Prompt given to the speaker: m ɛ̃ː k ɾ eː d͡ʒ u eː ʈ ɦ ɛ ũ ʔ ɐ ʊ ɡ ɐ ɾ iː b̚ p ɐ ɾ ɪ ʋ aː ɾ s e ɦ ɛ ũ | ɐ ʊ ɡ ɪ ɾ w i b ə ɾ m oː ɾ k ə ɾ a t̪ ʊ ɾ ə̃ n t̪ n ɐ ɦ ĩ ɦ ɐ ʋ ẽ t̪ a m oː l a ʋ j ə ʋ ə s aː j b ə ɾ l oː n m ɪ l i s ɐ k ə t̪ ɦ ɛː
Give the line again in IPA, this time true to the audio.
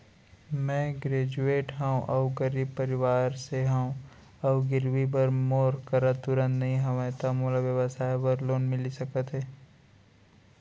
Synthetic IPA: m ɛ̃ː ɡ ɾ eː d͡ʒ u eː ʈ ɦ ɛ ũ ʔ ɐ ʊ ɡ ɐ ɾ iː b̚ p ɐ ɾ ɪ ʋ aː ɾ s e ɦ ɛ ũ | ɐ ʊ ɡ ɪ ɾ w i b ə ɾ m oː ɾ k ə ɾ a t̪ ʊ ɾ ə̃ n t̪ n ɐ ɦ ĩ ɦ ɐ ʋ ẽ t̪ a m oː l a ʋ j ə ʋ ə s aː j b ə ɾ l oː n m ɪ l i s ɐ k ə t̪ ɦ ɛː

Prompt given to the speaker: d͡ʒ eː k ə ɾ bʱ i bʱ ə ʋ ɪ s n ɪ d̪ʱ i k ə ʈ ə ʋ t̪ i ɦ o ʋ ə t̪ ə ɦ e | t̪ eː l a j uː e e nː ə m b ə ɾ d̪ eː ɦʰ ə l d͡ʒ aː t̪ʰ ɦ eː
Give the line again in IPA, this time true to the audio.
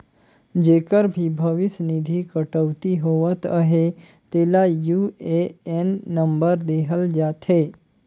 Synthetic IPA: d͡ʒ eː k ə ɾ bʱ i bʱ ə ʋ ɪ s n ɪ d̪ʱ i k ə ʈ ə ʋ t̪ i ɦ o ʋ ə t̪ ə ɦ e | t̪ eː l a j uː e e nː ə m b ə ɾ d̪ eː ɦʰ ə l d͡ʒ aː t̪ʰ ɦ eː

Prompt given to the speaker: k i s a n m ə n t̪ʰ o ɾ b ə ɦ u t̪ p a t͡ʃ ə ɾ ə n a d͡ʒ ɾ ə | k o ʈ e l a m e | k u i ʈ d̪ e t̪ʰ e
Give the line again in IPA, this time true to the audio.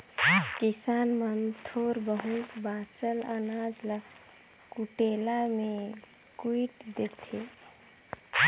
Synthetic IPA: k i s a n m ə n t̪ʰ o ɾ b ə ɦ u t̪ b a t͡ʃ ə l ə n a d͡ʒ l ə | k u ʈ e l a m e | k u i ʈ d̪ e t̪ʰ e

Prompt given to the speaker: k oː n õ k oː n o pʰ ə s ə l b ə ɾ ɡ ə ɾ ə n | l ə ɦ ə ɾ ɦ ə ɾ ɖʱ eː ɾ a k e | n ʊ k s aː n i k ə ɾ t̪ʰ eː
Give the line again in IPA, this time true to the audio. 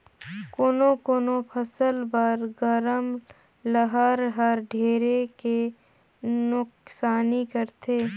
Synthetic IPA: k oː n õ k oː n o pʰ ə s ə l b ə ɾ ɡ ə ɾ ə m | l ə ɦ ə ɾ ɦ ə ɾ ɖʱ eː ɾ e k e | n ʊ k s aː n i k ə ɾ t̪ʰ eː

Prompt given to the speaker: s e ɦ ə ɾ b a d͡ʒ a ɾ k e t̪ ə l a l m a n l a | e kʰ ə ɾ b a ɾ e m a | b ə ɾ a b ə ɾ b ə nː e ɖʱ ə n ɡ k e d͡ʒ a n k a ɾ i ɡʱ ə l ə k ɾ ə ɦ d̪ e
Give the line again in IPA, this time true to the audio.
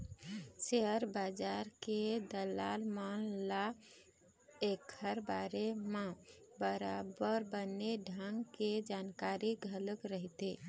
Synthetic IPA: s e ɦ ə ɾ b a d͡ʒ a ɾ k e d̪ ə l a l m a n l a | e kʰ ə ɾ b a ɾ e m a | b ə ɾ a b ə ɾ b ə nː e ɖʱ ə ŋ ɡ k e d͡ʒ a n k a ɾ i ɡʱ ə l ə k ɾ ə ɦ t̪ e

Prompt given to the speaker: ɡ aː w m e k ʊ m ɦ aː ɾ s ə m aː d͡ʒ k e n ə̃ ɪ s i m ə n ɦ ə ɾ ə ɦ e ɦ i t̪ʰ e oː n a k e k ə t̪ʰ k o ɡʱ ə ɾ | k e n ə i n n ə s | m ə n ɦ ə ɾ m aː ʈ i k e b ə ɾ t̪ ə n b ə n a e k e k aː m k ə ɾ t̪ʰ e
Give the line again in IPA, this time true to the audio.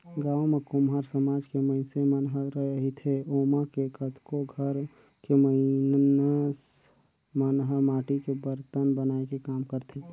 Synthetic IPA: ɡ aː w m e k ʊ m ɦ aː ɾ s ə m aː d͡ʒ k e m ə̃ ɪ s e m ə n ɦ ə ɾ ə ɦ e ɦ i t̪ʰ e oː m a k e k ə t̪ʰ k o ɡʱ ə ɾ | k e m ə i n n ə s | m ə n ɦ ə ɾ m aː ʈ i k e b ə ɾ t̪ ə n b ə n a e k e k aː m k ə ɾ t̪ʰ e

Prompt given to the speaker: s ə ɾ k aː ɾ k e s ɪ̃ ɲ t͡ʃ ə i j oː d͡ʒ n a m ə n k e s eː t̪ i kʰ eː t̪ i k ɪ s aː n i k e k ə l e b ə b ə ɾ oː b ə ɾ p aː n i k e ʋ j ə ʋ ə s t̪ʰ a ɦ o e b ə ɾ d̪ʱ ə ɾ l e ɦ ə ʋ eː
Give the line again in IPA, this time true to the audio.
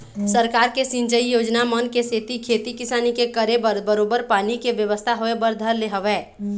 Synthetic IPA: s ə ɾ k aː ɾ k e s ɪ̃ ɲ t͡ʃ ə i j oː d͡ʒ n a m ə n k e s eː t̪ i kʰ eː t̪ i k ɪ s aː n i k e k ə ɾ e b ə b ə ɾ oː b ə ɾ p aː n i k e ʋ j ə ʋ ə s t̪ʰ a ɦ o e b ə ɾ d̪ʱ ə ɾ l e ɦ ə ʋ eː

